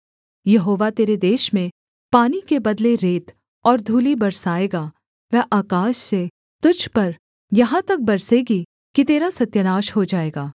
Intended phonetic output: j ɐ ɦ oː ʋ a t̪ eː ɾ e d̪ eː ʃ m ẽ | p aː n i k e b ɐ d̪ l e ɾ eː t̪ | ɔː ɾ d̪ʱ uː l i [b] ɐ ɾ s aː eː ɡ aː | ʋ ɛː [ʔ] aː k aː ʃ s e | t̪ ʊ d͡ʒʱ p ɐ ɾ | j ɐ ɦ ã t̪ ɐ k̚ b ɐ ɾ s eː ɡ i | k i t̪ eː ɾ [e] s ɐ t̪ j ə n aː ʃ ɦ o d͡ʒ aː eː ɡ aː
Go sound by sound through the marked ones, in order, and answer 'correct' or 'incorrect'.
correct, correct, incorrect: a

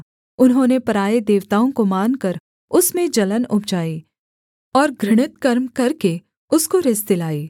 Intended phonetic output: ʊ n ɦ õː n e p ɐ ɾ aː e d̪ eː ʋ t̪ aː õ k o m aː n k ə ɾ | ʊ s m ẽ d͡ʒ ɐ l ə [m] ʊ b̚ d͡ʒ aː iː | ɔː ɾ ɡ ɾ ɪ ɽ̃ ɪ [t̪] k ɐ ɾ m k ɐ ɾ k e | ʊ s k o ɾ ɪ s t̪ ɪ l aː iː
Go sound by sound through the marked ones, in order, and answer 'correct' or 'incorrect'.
incorrect: n, correct

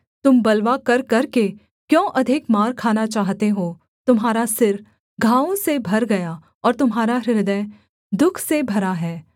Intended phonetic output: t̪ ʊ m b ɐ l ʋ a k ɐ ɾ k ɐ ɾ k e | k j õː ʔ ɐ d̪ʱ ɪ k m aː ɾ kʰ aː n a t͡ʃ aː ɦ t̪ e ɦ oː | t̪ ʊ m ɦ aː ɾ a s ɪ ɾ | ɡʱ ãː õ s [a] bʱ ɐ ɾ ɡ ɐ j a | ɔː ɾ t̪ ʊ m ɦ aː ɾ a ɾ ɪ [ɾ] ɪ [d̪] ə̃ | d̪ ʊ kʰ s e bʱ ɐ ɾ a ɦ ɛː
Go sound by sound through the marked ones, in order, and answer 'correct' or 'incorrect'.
incorrect: e, correct, correct

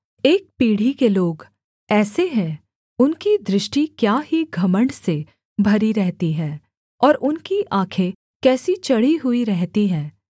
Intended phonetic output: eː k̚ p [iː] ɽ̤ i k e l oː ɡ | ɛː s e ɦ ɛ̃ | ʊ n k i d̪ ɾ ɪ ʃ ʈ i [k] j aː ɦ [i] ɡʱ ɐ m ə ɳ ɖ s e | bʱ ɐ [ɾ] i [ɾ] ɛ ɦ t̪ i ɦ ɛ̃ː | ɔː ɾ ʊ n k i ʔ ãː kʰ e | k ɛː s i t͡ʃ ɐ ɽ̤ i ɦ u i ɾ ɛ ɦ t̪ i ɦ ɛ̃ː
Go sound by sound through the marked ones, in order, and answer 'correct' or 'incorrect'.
correct, correct, correct, correct, correct

